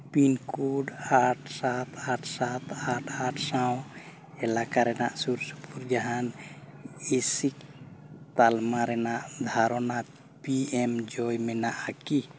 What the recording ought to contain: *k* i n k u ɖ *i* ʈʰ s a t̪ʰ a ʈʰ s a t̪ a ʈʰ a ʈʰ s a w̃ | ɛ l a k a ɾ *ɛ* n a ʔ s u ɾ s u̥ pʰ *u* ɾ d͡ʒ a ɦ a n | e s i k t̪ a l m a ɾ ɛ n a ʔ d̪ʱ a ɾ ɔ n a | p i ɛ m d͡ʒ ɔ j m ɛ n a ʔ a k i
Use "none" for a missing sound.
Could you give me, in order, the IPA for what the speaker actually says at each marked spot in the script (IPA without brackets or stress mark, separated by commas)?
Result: p, a, ɛ, u